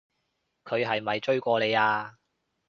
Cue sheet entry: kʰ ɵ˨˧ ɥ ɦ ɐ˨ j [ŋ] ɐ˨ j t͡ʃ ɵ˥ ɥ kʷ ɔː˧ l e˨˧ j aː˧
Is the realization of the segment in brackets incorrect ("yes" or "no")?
yes